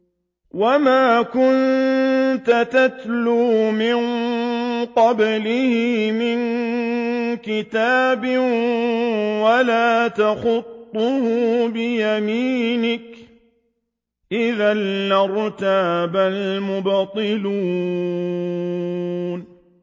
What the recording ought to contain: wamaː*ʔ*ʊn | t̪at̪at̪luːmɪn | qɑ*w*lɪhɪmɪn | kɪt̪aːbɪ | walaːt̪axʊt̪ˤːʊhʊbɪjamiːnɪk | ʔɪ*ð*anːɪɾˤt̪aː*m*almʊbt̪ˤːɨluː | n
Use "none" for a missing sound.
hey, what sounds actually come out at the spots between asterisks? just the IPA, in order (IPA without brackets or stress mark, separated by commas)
k, b, ð, b